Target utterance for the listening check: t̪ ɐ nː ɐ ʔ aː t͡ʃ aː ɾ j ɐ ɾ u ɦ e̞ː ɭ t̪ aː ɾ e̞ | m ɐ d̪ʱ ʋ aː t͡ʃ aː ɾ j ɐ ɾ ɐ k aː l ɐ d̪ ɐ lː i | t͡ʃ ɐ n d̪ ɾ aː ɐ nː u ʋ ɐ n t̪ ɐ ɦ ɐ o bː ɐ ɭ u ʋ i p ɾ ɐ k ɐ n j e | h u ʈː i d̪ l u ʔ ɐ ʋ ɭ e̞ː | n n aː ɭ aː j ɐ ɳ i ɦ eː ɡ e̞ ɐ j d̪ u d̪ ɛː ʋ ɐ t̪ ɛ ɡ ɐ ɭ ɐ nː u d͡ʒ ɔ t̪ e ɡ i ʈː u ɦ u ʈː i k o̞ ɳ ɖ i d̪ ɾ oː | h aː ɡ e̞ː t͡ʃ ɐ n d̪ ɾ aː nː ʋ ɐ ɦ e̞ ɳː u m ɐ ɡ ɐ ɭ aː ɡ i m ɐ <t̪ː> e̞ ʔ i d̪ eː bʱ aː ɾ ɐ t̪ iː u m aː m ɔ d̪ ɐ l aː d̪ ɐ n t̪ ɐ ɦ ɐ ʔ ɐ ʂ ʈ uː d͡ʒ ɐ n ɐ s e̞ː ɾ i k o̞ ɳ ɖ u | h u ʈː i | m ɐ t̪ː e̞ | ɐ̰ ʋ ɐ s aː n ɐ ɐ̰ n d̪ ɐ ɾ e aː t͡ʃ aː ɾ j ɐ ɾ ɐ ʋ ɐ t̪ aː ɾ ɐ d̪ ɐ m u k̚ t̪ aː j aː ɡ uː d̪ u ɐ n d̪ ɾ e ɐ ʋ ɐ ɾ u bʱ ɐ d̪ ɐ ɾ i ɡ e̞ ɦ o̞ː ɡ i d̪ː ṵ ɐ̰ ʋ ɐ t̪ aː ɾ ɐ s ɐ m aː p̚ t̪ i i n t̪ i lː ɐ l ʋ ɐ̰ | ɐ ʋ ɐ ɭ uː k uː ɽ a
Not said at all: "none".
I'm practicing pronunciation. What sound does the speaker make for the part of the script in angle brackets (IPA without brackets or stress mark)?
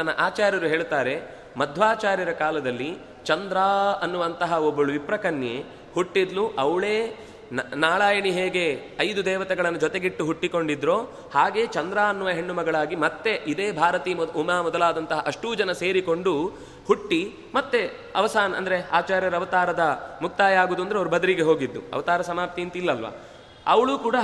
t̪ː